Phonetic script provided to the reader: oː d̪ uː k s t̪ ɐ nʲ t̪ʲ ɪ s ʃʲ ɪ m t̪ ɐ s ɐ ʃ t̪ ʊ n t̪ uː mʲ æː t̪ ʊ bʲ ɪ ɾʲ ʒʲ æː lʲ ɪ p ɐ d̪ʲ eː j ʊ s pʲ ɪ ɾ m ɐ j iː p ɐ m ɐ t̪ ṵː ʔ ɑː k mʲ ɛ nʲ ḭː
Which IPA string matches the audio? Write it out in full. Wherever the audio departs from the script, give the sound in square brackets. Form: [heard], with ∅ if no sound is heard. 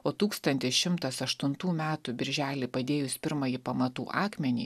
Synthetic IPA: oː [t̪] uː k s t̪ ɐ nʲ t̪ʲ ɪ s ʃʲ ɪ m t̪ ɐ s ɐ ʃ t̪ ʊ n t̪ uː mʲ æː t̪ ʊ bʲ ɪ ɾʲ ʒʲ æː lʲ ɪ p ɐ d̪ʲ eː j ʊ s pʲ ɪ ɾ m ɐ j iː p ɐ m ɐ t̪ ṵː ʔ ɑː k mʲ ɛ nʲ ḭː